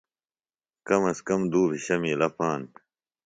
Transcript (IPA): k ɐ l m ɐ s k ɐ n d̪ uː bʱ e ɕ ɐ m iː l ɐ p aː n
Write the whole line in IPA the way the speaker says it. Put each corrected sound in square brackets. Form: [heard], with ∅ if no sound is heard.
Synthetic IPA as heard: k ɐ [∅] m ɐ s k ɐ [m] d̪ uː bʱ [i] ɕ ɐ m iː l ɐ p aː n